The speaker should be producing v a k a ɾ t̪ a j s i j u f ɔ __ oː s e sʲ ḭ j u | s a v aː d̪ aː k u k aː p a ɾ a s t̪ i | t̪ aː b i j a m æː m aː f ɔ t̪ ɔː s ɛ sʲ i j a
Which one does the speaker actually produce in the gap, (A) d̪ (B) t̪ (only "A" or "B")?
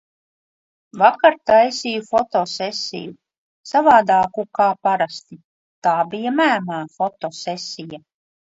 B